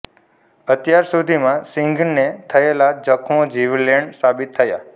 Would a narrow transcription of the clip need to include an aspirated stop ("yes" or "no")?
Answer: yes